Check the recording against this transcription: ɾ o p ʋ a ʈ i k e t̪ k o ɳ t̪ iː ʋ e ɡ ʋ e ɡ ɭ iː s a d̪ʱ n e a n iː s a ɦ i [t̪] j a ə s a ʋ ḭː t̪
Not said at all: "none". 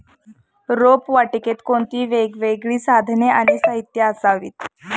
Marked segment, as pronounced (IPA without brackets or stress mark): t̪